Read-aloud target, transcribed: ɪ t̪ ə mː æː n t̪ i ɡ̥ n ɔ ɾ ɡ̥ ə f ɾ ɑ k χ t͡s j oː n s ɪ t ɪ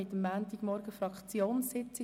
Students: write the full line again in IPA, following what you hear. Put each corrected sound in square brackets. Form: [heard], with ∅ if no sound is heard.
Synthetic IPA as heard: ɪ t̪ ə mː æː n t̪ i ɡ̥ [m] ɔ ɾ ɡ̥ ə f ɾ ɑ k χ t͡s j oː n s ɪ [t͡s] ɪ